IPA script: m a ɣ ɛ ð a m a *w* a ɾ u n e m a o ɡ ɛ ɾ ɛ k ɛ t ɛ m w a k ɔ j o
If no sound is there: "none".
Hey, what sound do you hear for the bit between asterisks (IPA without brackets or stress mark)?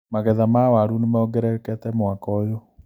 w